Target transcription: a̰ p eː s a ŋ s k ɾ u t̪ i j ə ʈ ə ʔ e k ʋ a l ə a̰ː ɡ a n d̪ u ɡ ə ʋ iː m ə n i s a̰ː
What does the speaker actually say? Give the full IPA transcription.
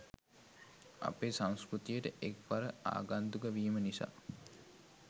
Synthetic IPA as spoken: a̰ p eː s a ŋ s k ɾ u t̪ i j ə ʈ ə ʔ e k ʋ a ɾ ə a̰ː ɡ a n d̪ u ɡ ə ʋ iː m ə n i s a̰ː